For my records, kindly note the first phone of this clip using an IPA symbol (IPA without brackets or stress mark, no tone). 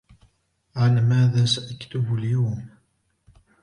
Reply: ʕ